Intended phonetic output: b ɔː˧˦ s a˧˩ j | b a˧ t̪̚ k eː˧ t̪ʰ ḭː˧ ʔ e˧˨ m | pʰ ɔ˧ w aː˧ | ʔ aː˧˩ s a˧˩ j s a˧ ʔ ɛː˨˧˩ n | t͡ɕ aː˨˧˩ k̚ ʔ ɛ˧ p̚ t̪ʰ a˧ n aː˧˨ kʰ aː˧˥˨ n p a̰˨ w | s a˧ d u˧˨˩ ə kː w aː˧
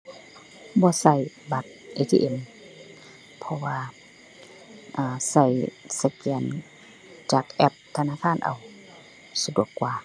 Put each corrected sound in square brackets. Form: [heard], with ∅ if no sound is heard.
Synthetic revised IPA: b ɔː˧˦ s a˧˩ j | b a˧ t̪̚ [ʔ] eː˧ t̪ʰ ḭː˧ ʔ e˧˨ m | pʰ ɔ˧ w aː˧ | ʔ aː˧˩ s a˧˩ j s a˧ [k] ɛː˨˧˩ n | t͡ɕ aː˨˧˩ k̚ ʔ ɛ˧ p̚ t̪ʰ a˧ n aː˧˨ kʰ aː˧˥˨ n [ʔ] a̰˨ w | s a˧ d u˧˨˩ ə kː w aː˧